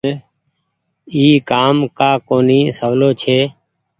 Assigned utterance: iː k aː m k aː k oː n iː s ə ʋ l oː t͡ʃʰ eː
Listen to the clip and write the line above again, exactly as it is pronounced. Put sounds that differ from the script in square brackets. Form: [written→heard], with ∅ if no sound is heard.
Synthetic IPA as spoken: iː k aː m k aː k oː n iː s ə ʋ l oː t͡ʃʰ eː